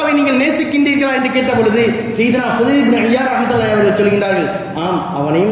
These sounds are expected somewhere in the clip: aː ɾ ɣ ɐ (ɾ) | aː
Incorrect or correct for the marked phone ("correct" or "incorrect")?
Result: incorrect